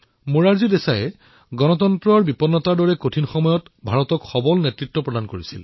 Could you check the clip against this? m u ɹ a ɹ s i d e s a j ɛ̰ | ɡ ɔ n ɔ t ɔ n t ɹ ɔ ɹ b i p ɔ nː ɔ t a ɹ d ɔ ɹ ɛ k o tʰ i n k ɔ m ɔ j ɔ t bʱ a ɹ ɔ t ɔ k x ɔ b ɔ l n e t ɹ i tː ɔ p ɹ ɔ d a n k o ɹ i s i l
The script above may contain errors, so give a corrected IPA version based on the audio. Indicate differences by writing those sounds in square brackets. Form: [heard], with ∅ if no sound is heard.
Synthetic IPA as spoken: m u ɹ a ɹ [z] i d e s a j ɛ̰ | ɡ ɔ n ɔ t ɔ n t ɹ ɔ ɹ b i p ɔ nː ɔ t a ɹ d ɔ ɹ ɛ k o tʰ i n [x] ɔ m ɔ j ɔ t bʱ a ɹ ɔ t ɔ k x ɔ b ɔ l n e t ɹ i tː ɔ p ɹ ɔ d a n k o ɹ i s i l